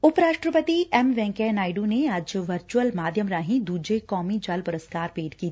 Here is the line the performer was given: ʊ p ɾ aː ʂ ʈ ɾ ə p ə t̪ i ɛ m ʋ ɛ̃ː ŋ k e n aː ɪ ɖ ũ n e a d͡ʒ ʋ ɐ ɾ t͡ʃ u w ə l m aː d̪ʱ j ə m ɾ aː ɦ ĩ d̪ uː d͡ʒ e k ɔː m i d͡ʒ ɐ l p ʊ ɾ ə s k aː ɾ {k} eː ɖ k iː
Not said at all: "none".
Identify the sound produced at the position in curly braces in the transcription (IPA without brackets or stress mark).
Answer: p